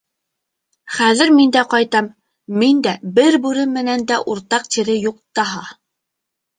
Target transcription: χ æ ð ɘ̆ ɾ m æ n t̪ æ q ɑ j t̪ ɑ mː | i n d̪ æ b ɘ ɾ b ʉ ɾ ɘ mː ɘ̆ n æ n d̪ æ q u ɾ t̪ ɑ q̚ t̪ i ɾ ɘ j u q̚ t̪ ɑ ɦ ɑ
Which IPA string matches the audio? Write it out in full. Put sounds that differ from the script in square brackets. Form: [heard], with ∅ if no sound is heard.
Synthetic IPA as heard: χ æ ð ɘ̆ ɾ m [i] n [d̪] æ q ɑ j t̪ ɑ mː | i n d̪ æ b ɘ ɾ b ʉ ɾ ɘ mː ɘ̆ n æ n d̪ æ [ʔ] u ɾ t̪ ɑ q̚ t̪ i ɾ ɘ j u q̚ t̪ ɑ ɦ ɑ